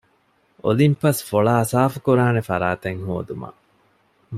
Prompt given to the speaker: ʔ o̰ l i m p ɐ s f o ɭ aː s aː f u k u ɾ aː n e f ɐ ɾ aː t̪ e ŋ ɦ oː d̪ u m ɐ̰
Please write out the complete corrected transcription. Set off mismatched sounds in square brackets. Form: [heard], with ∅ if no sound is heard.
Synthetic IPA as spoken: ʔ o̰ l i m p ɐ s f o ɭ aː s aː f u k u ɾ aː n e f ɐ ɾ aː t̪ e ŋ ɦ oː d̪ u m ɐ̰

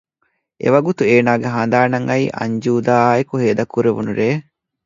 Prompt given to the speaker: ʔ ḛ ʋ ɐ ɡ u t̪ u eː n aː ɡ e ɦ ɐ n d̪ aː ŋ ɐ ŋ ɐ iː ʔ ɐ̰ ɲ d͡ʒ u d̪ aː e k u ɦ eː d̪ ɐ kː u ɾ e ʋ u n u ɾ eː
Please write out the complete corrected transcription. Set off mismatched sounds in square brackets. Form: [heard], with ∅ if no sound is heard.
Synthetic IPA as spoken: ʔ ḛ ʋ ɐ ɡ u t̪ u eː n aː ɡ e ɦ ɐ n d̪ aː [n] ɐ ŋ ɐ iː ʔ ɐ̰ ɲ d͡ʒ [uː] d̪ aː e k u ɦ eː d̪ ɐ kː u ɾ e ʋ u n u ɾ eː

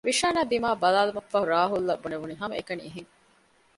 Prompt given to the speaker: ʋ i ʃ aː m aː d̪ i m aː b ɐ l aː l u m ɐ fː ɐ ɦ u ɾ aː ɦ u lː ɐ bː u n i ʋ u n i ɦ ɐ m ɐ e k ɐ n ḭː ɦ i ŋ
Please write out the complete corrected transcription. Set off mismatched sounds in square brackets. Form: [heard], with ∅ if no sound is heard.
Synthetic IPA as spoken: ʋ i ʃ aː [n] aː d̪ i m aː b ɐ l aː l u m ɐ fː ɐ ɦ u ɾ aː ɦ u lː ɐ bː u n [e] ʋ u n i ɦ ɐ m ɐ e k ɐ n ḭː ɦ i ŋ

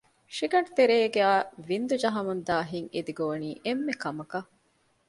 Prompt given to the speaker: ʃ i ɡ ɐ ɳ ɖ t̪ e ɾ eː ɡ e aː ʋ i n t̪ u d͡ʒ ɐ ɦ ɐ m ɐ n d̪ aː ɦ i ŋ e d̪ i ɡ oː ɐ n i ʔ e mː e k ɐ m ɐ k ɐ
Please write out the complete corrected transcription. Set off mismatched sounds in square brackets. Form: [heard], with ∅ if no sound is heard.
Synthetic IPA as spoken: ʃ i ɡ ɐ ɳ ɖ t̪ e ɾ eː ɡ e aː ʋ i n [d̪] u d͡ʒ ɐ ɦ ɐ m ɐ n d̪ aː ɦ i ŋ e d̪ i ɡ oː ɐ n [iː] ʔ e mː e k ɐ m ɐ k ɐ

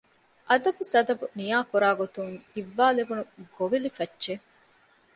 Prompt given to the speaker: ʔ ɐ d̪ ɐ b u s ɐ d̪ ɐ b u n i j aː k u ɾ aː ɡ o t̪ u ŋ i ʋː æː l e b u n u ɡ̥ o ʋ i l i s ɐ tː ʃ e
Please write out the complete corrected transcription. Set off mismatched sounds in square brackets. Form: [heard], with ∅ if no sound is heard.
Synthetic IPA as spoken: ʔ ɐ d̪ ɐ b u s ɐ d̪ ɐ b u n i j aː k u ɾ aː ɡ o t̪ u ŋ i ʋː [aː] l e b u n u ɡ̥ o ʋ i l i [f] ɐ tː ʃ e

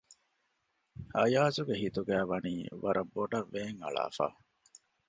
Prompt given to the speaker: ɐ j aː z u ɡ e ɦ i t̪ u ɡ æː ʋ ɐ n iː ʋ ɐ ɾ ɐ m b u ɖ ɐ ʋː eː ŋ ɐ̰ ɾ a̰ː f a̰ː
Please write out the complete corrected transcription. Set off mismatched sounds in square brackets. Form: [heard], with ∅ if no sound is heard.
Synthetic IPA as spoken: ɐ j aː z u ɡ e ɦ i t̪ u ɡ æː ʋ ɐ n iː ʋ ɐ ɾ ɐ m b [o] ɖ ɐ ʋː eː ŋ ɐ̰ [ɭ] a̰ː f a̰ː

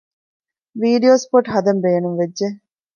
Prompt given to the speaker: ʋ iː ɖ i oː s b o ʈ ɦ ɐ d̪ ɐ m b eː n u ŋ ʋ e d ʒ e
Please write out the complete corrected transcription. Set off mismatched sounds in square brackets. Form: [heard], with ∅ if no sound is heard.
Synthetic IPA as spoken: ʋ iː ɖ i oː s [p] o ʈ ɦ ɐ d̪ ɐ m b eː n u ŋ ʋ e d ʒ e

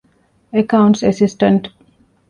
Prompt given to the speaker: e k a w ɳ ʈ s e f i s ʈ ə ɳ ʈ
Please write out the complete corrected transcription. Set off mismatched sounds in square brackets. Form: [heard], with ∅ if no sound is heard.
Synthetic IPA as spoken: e k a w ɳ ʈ s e [s] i s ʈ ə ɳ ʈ

